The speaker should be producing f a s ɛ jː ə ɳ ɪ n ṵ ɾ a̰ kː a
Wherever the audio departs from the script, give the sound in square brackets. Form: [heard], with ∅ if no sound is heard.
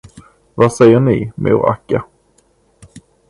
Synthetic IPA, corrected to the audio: [v] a s ɛ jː ə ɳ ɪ [m] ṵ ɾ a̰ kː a